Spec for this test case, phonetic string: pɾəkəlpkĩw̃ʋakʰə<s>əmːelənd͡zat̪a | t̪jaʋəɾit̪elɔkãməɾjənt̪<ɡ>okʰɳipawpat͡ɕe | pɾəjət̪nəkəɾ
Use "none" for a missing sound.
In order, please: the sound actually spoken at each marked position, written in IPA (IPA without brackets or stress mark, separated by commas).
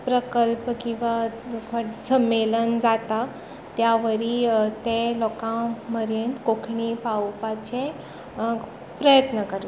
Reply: s, k